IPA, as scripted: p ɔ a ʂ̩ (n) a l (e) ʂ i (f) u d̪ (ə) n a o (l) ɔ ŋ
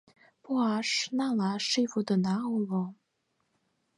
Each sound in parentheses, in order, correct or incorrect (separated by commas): correct, incorrect, correct, correct, correct